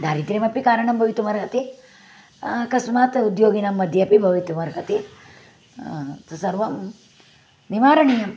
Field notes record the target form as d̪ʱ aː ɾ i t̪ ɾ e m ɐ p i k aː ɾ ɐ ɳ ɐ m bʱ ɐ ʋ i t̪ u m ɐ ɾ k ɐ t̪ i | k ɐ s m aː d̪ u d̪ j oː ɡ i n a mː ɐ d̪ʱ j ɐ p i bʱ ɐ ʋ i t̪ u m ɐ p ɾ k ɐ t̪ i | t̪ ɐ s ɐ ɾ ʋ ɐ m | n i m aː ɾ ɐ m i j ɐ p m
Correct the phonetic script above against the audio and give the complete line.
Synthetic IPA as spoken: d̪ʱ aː ɾ i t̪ ɾ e m ɐ p i k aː ɾ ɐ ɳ ɐ m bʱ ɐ ʋ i t̪ u m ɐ ɾ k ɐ t̪ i | k ɐ s m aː t̪ u d̪ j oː ɡ i n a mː ɐ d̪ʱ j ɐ p i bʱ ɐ ʋ i t̪ u m ɐ ɾ k ɐ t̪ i | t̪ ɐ s ɐ ɾ ʋ ɐ m | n i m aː ɾ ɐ ɳ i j ɐ m